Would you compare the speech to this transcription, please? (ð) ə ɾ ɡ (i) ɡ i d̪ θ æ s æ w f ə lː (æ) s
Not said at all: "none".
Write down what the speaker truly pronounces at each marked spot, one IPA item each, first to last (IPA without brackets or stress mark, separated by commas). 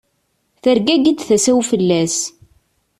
θ, æ, æ